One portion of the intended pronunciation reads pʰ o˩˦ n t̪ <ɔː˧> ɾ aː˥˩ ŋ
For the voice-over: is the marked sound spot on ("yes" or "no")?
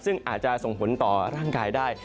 no